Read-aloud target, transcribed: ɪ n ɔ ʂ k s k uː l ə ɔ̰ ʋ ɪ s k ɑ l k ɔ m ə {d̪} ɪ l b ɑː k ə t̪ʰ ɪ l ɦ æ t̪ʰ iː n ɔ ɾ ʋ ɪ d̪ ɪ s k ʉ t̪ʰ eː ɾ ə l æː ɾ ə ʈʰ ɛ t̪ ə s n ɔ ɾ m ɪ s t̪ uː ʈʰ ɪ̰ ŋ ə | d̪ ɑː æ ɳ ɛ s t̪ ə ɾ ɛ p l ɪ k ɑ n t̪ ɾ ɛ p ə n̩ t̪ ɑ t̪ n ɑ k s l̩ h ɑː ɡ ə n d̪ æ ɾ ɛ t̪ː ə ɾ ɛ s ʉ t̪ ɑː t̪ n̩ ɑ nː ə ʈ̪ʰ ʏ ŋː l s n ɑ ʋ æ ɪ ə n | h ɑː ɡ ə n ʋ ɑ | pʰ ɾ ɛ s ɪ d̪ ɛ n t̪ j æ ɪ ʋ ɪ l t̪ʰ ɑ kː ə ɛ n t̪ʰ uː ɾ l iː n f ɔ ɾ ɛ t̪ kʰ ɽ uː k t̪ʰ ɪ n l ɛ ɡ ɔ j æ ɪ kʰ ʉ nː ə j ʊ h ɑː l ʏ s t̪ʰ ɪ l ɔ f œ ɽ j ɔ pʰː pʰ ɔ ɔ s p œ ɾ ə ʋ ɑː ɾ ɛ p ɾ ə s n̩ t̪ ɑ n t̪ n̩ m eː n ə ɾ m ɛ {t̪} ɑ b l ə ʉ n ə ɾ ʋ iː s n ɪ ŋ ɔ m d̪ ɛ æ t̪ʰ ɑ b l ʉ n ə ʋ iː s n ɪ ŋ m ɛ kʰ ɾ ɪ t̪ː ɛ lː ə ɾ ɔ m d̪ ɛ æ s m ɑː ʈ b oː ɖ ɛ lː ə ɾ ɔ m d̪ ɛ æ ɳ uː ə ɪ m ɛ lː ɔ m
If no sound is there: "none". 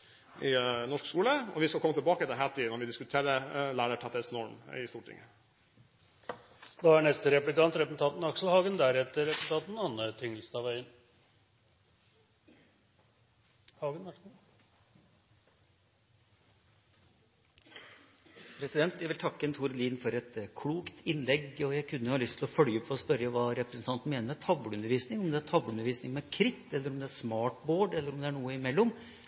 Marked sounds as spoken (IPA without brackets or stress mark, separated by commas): t̪, t̪ʰ